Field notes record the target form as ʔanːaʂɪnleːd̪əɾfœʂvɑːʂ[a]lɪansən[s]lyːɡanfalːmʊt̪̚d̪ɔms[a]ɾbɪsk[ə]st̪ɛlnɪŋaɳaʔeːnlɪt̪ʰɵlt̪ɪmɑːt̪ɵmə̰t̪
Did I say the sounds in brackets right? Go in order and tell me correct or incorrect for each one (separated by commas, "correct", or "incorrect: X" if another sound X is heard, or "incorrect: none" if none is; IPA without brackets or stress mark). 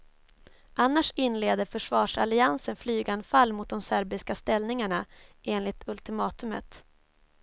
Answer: correct, incorrect: f, incorrect: æ, incorrect: a